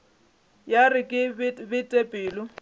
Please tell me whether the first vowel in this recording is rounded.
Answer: no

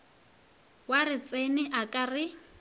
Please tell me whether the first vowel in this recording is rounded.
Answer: no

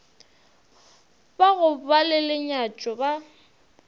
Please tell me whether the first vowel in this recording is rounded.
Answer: no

